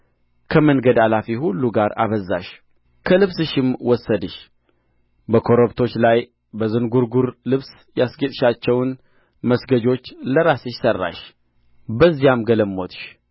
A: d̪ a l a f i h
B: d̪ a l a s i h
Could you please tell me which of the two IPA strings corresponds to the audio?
A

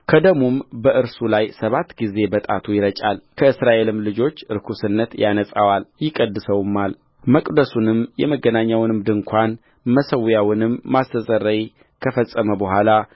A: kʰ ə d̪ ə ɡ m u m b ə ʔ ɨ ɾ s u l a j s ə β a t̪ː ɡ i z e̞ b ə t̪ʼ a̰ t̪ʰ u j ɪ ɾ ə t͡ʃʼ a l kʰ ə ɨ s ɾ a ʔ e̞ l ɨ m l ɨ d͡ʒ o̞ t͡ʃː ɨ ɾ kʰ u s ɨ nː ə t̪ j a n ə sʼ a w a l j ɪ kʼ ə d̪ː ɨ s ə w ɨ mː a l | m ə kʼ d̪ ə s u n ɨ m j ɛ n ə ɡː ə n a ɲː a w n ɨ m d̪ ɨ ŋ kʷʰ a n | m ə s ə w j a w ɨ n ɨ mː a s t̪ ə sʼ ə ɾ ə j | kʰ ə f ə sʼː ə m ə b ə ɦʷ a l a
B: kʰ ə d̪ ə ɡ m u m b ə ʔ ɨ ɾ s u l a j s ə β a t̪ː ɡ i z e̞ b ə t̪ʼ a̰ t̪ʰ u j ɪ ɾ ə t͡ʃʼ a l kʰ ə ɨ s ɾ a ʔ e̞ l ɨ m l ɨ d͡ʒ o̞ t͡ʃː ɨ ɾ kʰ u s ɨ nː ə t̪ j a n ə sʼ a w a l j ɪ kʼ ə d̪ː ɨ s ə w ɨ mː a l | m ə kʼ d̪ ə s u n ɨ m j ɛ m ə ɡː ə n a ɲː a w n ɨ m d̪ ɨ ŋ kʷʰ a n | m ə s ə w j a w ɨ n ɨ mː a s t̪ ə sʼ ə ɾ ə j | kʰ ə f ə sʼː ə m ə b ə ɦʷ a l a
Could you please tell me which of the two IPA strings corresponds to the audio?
B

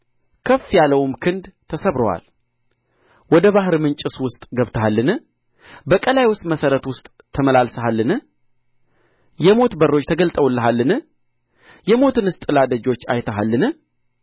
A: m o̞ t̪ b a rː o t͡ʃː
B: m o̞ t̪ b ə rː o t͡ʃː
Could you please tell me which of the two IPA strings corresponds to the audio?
B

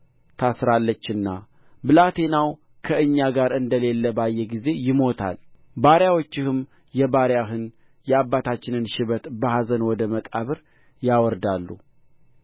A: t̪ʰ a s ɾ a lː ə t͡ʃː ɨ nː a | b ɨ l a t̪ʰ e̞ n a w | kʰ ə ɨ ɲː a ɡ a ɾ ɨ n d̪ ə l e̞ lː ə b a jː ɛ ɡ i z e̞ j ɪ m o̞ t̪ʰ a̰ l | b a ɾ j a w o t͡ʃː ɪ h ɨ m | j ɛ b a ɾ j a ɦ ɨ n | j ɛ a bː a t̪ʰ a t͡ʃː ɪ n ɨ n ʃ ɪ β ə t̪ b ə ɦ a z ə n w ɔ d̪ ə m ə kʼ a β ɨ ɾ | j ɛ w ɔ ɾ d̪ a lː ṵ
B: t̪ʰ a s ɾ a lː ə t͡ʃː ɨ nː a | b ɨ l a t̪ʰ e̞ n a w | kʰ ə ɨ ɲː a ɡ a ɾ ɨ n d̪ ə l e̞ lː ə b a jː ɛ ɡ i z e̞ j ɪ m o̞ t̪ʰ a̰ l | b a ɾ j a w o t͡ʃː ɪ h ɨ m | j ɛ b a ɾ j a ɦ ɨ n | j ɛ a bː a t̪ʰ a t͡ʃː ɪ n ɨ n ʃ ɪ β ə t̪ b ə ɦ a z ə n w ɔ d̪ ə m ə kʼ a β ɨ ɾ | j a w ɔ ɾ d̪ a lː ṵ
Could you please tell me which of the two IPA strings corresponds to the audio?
B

